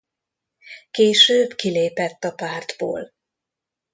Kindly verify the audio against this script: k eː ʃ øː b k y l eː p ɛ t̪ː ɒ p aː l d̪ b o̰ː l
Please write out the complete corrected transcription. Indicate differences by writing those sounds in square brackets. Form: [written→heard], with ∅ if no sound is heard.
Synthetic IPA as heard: k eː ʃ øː b k [y→i] l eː p ɛ t̪ː ɒ p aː [l→r] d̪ b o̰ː l